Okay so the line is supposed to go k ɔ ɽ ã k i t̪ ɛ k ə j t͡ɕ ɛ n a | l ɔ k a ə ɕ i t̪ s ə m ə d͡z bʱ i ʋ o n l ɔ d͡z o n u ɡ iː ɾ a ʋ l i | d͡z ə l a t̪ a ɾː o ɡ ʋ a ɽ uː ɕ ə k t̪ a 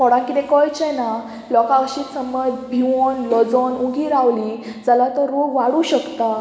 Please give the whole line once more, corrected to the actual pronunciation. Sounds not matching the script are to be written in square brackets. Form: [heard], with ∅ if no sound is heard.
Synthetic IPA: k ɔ ɽ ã k i t̪ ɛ k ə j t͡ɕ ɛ n a | l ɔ k a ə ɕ i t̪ s ə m ə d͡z bʱ i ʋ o n l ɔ d͡z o n u ɡ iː ɾ a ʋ l i | d͡z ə l a t̪ [ə] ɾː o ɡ ʋ a ɽ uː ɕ ə k t̪ a

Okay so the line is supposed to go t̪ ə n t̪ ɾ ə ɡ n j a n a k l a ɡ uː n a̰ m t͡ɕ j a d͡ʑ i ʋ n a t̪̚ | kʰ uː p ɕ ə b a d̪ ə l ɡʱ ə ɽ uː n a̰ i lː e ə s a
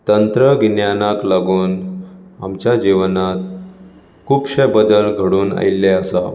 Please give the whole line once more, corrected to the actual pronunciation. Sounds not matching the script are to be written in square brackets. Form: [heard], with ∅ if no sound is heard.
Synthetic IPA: t̪ ə n t̪ ɾ ə ɡ n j a n a k l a ɡ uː n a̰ m t͡ɕ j a d͡ʑ i ʋ n a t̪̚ | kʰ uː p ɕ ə b [ə] d̪ ə l ɡʱ ə ɽ uː n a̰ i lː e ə s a

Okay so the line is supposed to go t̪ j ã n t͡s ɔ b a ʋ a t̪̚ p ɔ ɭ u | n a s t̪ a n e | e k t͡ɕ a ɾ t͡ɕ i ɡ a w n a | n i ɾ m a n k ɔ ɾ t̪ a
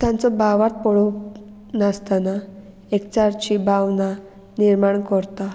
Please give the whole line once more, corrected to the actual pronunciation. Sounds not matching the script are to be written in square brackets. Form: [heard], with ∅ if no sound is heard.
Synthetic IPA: t̪ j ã n t͡s ɔ b a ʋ a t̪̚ p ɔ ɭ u | n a s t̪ a n [a] | e k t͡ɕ a ɾ t͡ɕ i [b] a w n a | n i ɾ m a [ɳ] k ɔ ɾ t̪ a

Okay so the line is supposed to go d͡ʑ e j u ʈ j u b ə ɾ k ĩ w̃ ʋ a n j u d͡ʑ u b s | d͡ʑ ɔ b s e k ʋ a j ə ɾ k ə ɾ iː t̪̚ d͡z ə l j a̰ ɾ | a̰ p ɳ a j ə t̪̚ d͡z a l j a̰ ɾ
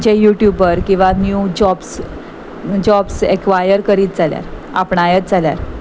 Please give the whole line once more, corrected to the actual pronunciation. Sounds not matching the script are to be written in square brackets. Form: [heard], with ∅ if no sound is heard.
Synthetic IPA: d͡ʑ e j u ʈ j u b ə ɾ k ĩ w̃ ʋ a n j u d͡ʑ [ɔ] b s | d͡ʑ ɔ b s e k ʋ a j ə ɾ k ə ɾ iː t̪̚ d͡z [a] l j a̰ ɾ | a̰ p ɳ a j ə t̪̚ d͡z a l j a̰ ɾ

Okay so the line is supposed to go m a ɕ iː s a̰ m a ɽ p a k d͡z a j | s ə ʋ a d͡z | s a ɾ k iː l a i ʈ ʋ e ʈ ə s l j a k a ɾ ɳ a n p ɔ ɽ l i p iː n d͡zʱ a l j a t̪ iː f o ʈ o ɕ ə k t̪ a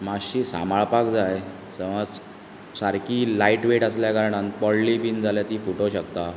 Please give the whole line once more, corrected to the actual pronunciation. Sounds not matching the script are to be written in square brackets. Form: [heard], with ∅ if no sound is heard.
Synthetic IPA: m a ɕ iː s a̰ m a [ɭ] p a k d͡z a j | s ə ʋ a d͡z | s a ɾ k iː l a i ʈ ʋ e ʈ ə s l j a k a ɾ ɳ a n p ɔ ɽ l i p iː n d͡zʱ a l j a t̪ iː f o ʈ o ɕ ə k t̪ a

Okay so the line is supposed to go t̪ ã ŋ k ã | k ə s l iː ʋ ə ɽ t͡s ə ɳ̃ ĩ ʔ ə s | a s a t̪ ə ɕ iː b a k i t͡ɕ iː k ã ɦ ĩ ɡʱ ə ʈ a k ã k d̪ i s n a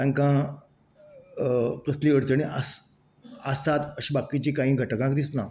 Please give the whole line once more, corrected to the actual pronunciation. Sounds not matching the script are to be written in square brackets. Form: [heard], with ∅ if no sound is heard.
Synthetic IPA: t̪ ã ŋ k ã | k ə s l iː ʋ ə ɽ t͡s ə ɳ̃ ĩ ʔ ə s | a s a t̪ ə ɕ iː b a k i t͡ɕ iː k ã ɦ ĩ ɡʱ ə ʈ [ə] k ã k d̪ i s n a

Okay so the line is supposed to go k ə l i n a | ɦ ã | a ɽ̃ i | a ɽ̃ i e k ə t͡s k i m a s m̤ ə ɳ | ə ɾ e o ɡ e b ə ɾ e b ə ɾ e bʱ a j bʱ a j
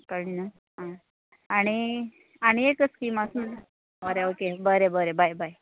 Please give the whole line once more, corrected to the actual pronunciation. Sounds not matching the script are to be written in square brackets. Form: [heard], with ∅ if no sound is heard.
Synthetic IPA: k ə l i n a | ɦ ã | a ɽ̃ i | a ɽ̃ i e k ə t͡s k i m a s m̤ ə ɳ | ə ɾ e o [k] e b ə ɾ e b ə ɾ e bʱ a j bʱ a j

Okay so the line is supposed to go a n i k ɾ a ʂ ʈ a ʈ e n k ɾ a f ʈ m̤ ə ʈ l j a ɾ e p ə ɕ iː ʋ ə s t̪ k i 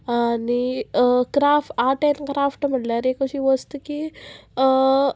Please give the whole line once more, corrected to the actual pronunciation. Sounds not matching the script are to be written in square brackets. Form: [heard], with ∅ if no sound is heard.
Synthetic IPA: a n i k ɾ a [f] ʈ a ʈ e n k ɾ a f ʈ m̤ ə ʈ l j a ɾ e [k] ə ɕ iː ʋ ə s t̪ k i

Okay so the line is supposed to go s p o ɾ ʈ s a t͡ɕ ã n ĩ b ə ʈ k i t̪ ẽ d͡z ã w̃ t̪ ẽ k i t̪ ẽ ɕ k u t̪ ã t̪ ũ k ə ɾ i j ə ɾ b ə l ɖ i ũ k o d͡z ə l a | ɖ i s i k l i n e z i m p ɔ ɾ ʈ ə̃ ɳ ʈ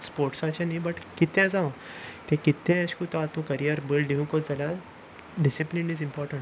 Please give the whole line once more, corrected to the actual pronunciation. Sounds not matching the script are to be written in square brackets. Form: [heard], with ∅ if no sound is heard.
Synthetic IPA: s p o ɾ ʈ s a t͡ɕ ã n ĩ b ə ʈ k i t̪ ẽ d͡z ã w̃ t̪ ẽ k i t̪ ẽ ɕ k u t̪ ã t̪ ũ k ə ɾ i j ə ɾ b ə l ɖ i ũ k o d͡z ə l a | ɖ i s i [p] l i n [i] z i m p ɔ ɾ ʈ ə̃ ɳ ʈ

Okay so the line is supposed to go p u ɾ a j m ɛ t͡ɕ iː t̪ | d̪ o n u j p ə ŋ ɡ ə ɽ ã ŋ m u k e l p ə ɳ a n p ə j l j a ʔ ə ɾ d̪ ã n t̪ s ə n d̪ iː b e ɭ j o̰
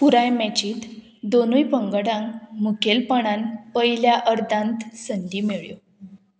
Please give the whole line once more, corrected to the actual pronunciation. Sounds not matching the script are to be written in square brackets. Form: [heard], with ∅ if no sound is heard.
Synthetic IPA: p u ɾ a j m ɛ t͡ɕ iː t̪ | d̪ o n u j p ə ŋ ɡ ə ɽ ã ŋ m u k e l p ə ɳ a n p ə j l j a ʔ ə ɾ d̪ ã n t̪ s ə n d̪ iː [m] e ɭ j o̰

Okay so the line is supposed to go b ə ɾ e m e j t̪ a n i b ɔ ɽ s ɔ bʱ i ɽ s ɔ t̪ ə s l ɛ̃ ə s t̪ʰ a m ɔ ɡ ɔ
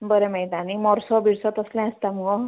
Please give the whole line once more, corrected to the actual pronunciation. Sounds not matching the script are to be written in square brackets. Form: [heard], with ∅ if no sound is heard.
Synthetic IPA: b ə ɾ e m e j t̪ a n i [m] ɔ [ɾ] s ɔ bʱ i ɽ s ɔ t̪ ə s l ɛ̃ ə s [t̪] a m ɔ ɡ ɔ

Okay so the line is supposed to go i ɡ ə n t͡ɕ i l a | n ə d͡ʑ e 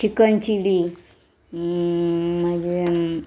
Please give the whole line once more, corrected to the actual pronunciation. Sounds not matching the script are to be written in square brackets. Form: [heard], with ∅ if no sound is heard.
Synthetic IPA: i [k] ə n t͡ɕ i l [i] | [m] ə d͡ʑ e

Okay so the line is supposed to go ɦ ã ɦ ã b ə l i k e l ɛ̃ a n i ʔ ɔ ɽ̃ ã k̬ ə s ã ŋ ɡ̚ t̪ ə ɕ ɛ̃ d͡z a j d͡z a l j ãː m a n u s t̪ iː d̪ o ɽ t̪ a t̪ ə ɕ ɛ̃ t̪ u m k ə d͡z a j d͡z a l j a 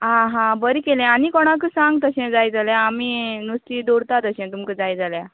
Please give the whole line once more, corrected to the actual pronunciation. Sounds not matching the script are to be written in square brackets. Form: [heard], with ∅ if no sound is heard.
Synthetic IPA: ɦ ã ɦ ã b ə [ɾ] i k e l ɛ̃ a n i [k] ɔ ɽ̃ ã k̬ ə s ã ŋ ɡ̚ t̪ ə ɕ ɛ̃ d͡z a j d͡z a l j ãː m [i] n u s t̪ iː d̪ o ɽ t̪ a t̪ ə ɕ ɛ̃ t̪ u m k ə d͡z a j d͡z a l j a

